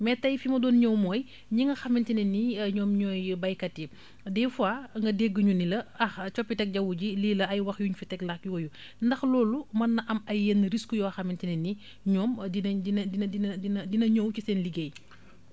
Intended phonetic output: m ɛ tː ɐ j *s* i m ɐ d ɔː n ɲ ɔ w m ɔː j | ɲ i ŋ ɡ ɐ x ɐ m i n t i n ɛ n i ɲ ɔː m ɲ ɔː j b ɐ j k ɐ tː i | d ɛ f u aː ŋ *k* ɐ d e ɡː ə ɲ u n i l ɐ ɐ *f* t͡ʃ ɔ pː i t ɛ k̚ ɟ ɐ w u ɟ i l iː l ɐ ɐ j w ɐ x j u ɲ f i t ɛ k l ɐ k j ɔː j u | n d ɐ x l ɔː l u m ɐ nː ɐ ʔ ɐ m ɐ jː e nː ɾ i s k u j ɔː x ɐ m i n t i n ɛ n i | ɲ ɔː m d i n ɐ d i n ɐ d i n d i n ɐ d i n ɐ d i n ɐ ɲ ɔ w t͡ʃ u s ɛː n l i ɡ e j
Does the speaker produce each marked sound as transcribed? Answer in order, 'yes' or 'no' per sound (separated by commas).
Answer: no, no, no